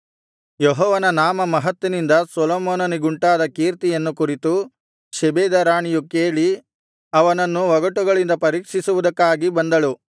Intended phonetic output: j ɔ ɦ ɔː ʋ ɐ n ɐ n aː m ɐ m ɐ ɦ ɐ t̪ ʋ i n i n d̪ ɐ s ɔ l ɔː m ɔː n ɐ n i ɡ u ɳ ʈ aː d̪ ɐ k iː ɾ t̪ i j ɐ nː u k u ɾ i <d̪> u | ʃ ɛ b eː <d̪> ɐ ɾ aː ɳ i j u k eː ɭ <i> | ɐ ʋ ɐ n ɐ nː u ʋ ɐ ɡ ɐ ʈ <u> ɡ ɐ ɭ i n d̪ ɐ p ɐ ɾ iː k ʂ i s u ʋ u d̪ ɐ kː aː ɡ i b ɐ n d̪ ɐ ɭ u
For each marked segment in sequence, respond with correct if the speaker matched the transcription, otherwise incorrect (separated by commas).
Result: incorrect, correct, correct, correct